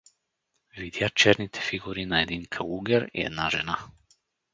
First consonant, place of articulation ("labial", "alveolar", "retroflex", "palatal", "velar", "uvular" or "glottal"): labial